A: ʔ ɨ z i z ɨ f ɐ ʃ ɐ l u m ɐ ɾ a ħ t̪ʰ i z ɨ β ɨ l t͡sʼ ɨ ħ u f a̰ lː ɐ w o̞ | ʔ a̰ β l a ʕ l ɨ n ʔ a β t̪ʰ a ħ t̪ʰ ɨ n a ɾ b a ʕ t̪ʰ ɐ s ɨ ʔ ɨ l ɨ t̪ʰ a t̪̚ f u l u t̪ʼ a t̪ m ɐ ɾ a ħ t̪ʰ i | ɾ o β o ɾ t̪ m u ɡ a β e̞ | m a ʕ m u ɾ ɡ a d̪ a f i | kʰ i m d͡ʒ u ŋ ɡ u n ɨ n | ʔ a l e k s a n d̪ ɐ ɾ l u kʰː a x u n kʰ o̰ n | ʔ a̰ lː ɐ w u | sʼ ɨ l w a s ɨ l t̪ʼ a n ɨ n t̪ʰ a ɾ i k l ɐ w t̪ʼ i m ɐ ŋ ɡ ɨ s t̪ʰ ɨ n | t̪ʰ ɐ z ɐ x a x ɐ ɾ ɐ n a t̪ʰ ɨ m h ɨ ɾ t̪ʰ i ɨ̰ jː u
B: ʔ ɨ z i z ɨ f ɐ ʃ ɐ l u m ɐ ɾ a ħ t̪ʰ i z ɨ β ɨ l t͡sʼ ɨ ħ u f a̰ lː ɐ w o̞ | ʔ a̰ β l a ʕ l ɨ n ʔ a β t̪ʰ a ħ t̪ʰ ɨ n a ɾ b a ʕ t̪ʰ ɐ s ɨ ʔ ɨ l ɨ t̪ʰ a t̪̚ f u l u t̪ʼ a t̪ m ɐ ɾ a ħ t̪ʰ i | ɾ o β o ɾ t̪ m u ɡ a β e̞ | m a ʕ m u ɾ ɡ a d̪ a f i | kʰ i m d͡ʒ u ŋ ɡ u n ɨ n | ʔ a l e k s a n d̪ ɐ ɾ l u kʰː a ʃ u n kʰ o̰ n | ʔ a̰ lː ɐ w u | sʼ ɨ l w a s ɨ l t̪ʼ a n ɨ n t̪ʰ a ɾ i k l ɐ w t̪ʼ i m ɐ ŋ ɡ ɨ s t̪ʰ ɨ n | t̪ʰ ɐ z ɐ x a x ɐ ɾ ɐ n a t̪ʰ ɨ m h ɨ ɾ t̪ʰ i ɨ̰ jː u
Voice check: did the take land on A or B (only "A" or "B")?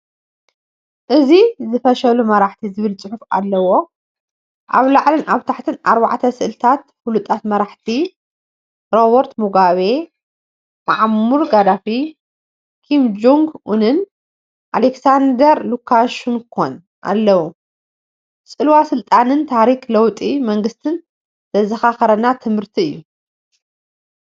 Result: B